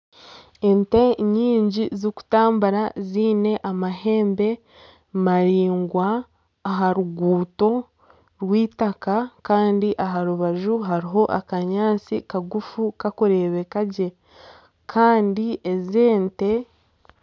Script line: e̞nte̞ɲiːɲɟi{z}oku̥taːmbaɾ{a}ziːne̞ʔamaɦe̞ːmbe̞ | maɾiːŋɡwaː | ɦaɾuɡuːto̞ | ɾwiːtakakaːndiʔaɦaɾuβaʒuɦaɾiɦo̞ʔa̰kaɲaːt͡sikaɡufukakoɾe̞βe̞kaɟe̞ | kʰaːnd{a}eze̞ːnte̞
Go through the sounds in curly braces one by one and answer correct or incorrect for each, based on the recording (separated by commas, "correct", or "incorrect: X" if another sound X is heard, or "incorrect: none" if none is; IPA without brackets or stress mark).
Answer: correct, correct, incorrect: i